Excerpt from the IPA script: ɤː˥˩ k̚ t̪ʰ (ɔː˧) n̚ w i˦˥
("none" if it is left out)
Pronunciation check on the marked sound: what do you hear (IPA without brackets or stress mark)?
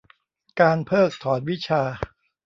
ɔː˩˦